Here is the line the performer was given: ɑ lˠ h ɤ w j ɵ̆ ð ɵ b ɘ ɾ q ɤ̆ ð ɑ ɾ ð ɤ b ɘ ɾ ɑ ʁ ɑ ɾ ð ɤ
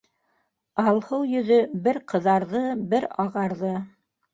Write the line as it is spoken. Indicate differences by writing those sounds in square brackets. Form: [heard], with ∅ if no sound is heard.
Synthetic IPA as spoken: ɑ lˠ h ɤ w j ɵ̆ ð ɵ b ɘ ɾ q ɤ̆ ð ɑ ɾ ð ɤ b ɘ ɾ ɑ ʁ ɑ ɾ ð ɤ